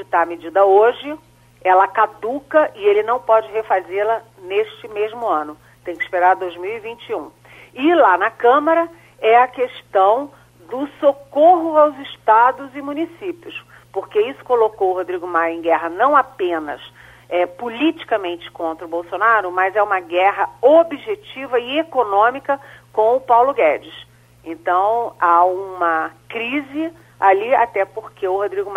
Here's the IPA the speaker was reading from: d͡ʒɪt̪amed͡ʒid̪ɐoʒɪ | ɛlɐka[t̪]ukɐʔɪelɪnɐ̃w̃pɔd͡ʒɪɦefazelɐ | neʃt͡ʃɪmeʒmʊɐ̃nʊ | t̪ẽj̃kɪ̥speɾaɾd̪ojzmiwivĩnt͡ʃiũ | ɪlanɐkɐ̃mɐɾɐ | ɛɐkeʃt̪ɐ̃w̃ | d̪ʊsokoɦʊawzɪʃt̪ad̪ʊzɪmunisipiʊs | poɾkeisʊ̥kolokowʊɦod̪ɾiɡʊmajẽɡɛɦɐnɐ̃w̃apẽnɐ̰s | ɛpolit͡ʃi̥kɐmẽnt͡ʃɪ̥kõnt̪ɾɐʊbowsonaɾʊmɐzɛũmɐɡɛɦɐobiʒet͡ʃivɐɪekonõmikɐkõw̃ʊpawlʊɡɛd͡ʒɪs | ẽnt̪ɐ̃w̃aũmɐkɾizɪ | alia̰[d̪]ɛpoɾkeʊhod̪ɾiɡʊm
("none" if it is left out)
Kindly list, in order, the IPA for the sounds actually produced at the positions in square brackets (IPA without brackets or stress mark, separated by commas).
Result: d̪, t̪